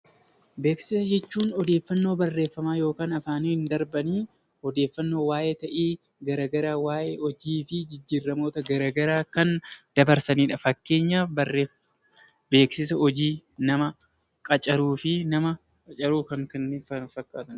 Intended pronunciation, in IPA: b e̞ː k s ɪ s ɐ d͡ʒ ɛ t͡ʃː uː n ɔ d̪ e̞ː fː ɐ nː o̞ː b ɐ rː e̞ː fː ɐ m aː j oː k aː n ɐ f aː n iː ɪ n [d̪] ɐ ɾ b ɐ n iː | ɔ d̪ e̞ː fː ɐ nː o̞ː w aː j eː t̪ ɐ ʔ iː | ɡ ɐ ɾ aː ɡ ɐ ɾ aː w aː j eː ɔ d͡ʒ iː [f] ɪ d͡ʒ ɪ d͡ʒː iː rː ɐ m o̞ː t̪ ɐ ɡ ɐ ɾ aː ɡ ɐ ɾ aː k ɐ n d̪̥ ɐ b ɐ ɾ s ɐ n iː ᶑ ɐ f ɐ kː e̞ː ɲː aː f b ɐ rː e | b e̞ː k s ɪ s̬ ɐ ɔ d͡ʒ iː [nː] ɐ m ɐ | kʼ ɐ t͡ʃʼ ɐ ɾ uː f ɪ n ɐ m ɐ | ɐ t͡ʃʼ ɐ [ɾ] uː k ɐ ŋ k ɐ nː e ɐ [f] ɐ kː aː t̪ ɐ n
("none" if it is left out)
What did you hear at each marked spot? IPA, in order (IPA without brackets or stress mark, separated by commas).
d̪, f, n, ɾ, f